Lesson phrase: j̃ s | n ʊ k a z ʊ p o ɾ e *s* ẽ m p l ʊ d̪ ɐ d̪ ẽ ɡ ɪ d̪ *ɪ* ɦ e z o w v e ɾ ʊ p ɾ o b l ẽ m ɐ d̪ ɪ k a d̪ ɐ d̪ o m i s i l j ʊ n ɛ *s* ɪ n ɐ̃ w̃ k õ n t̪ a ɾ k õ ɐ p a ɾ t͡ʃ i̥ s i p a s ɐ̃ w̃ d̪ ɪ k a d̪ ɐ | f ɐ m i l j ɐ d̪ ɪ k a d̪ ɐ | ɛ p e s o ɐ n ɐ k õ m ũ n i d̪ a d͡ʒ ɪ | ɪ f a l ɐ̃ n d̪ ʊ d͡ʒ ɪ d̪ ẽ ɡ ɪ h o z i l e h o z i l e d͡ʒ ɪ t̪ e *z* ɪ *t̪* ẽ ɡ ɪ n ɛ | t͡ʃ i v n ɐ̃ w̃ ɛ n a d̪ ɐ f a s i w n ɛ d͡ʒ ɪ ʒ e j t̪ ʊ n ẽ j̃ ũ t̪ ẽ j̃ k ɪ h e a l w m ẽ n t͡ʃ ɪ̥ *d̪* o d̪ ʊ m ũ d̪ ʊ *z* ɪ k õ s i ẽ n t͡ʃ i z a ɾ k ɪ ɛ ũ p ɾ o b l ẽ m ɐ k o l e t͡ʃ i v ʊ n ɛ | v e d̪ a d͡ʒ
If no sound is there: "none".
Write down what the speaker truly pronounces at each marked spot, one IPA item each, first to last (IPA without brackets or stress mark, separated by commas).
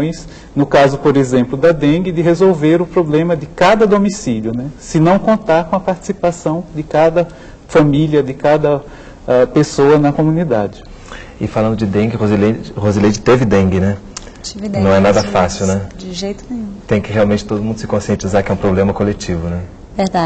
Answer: z, ɪ, s, v, d̪, t̪, s